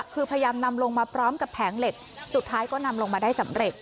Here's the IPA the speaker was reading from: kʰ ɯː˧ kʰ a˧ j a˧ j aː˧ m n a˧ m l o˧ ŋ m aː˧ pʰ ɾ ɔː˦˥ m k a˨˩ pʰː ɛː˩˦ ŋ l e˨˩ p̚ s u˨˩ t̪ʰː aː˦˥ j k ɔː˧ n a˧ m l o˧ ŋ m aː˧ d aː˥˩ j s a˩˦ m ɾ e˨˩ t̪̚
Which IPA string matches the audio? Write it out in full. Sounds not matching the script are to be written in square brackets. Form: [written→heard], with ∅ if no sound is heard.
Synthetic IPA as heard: kʰ ɯː˧ [kʰ→pʰ] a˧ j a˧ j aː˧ m n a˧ m l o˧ ŋ m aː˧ pʰ ɾ ɔː˦˥ m k a˨˩ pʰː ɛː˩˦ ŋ l e˨˩ [p̚→k̚] s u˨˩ t̪ʰː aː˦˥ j k [ɔː˧→ɔː˥˩] n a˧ m l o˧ ŋ m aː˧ d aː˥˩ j s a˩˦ m ɾ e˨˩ t̪̚